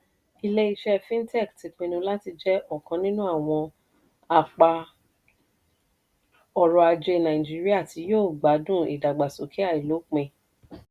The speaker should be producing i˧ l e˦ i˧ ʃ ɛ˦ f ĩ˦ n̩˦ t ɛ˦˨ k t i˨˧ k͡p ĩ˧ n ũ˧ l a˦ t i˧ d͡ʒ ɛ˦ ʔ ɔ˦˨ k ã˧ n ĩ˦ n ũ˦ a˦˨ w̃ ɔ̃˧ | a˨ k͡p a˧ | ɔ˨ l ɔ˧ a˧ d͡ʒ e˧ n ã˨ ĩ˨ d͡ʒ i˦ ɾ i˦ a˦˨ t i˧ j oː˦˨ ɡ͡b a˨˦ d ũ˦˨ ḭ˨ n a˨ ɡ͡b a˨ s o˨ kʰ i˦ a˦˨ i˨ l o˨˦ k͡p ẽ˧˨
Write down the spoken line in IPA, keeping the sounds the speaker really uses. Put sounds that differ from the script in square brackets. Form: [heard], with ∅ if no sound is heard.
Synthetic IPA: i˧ l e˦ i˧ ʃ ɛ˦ f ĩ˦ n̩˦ t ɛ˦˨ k t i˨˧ k͡p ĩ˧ n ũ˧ l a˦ t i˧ d͡ʒ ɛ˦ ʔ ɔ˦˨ k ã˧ n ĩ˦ n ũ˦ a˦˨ w̃ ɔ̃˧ | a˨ k͡p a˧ | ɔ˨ [ɾ] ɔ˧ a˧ d͡ʒ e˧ n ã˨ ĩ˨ d͡ʒ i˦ ɾ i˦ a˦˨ t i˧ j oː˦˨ ɡ͡b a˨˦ d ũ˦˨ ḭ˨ [d] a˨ ɡ͡b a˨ s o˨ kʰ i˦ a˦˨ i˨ l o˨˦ k͡p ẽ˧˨